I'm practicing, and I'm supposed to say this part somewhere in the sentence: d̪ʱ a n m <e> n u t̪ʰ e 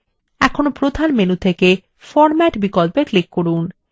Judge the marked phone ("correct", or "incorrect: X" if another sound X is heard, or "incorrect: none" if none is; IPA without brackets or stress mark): correct